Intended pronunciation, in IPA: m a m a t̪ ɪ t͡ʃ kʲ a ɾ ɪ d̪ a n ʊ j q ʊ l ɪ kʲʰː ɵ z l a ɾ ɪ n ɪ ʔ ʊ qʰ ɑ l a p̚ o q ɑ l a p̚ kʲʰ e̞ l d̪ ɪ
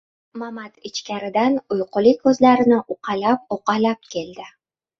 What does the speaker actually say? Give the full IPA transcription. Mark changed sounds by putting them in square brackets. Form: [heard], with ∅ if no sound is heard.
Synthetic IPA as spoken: m a m a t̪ ɪ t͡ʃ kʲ a ɾ ɪ d̪ a n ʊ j q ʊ l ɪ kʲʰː ɵ z l a ɾ ɪ n ɪ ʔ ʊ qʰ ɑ l a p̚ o q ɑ l a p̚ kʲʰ e̞ l d̪ ɪ

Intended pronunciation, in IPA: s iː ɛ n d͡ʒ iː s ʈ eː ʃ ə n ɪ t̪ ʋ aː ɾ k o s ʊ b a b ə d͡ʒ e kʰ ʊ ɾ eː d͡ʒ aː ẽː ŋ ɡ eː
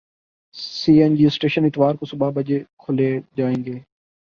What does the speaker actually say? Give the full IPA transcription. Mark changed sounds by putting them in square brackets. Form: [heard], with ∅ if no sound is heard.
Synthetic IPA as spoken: s iː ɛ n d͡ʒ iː s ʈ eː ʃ ə n ɪ t̪ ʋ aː ɾ k o s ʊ b a b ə d͡ʒ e kʰ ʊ [l] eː d͡ʒ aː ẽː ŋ ɡ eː

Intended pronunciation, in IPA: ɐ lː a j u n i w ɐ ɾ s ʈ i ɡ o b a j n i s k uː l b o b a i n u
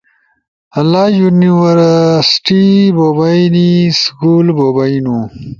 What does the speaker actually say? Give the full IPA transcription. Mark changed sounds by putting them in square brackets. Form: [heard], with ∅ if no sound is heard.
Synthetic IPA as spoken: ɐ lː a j u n i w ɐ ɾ s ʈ i [b] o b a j n i s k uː l b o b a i n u

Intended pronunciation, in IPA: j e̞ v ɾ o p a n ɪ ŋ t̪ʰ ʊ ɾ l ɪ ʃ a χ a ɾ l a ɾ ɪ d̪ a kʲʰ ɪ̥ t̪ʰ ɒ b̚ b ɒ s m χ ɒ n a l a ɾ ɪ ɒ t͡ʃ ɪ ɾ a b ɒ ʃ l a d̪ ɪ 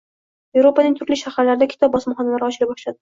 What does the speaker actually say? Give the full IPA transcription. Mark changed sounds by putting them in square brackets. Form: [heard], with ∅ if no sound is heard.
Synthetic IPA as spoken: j e̞ v ɾ o p a n ɪ ŋ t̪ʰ ʊ ɾ l ɪ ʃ a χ a ɾ l a ɾ ɪ d̪ a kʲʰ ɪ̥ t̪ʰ ɒ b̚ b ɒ s m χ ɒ n a l a ɾ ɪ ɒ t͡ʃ ɪ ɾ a b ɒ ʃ l a d̪ ɪ

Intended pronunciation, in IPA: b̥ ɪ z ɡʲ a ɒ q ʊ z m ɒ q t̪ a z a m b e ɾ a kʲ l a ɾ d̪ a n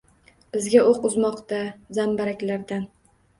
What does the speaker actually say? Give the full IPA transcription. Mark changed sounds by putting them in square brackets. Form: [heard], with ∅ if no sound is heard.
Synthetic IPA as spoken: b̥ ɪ z ɡʲ a [o] q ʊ z m ɒ q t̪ a z a m b [a] ɾ a kʲ l a ɾ d̪ a n

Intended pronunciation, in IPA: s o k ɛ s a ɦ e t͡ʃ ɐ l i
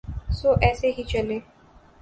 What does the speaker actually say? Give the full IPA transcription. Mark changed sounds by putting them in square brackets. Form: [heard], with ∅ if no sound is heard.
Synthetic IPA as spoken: s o [ʔ] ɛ s [e] ɦ [i] t͡ʃ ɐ l [e]

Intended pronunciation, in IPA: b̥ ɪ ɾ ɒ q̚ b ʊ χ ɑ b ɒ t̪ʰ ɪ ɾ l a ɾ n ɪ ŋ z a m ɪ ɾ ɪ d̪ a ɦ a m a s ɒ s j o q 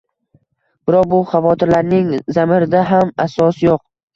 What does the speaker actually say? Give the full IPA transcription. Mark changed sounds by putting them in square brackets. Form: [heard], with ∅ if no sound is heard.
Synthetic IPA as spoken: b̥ ɪ ɾ ɒ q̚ b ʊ χ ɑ [v] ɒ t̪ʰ ɪ ɾ l a ɾ n ɪ ŋ z a m ɪ ɾ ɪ d̪ a ɦ a m a s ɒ s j o q

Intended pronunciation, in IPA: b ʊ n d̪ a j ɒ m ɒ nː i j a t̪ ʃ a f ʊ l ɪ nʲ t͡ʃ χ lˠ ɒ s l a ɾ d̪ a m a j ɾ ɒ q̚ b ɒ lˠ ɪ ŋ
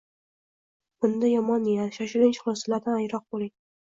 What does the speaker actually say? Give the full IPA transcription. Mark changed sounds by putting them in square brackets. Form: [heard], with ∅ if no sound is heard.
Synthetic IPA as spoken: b ʊ n d̪ a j ɒ m ɒ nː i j a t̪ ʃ a [ʃ] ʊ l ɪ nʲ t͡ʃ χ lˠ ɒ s l a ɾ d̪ a [n] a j ɾ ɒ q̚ b [o] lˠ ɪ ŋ

